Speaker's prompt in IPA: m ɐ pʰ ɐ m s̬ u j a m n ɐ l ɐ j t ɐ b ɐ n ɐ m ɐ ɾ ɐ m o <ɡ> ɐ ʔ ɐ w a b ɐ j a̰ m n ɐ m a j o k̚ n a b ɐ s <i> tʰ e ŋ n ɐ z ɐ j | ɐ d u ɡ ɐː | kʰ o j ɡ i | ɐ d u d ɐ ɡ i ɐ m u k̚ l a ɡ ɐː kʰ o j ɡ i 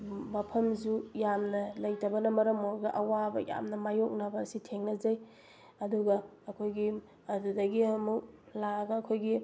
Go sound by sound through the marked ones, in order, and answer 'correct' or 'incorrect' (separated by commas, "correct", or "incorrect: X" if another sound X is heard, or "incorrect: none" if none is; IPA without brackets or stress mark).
correct, correct